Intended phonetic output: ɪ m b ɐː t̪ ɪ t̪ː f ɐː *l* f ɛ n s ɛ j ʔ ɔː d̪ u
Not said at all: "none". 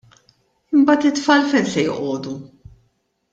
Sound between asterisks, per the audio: l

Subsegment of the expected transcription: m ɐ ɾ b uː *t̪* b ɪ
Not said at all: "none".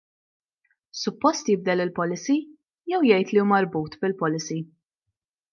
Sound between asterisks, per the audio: t̪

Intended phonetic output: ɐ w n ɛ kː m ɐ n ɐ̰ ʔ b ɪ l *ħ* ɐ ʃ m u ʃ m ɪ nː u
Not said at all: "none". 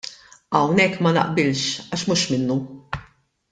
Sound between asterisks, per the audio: ʃ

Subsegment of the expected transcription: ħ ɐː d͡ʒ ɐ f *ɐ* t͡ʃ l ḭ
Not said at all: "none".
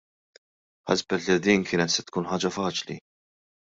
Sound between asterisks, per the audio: ɐː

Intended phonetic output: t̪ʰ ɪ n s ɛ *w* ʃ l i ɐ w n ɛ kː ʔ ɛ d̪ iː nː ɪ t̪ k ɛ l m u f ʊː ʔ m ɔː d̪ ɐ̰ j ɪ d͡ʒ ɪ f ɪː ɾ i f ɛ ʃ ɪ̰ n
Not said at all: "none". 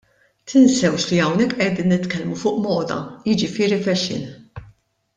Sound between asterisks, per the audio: w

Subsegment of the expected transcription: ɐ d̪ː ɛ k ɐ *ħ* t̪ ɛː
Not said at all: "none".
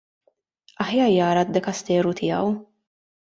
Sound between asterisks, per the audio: s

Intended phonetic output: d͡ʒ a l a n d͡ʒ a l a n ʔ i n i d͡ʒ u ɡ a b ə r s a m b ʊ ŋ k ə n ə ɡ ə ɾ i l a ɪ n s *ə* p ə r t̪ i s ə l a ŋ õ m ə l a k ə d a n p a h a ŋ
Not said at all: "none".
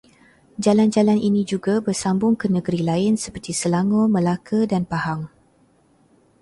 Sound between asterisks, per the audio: ə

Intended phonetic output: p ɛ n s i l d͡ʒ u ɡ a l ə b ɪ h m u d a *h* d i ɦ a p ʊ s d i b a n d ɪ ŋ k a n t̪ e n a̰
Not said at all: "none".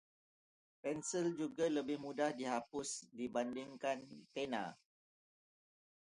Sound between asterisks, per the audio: h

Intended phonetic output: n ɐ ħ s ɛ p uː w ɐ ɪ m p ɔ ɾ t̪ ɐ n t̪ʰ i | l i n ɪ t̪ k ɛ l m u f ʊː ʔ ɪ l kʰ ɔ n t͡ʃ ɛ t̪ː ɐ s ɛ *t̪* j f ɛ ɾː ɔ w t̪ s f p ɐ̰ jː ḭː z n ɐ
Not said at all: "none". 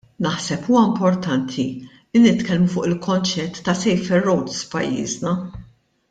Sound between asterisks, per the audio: none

